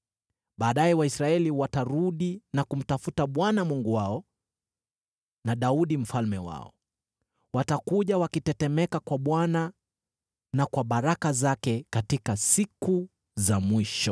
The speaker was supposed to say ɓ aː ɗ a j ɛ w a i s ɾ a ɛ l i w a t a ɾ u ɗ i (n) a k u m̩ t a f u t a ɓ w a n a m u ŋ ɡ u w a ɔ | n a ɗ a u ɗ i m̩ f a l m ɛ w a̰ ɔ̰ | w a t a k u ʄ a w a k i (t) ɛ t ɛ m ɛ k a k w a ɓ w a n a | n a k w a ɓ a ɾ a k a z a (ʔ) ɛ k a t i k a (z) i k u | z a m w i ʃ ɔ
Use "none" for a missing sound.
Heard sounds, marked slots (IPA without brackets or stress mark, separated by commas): n, t, k, s